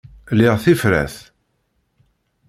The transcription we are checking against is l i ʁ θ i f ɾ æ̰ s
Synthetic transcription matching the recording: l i ʁ θ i f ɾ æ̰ θ